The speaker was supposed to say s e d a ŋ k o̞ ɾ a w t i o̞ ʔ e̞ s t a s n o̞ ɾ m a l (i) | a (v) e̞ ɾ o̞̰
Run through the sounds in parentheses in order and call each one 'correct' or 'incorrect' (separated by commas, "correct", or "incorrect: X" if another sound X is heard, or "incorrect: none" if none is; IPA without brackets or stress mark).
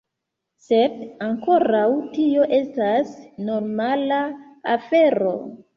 incorrect: a, incorrect: f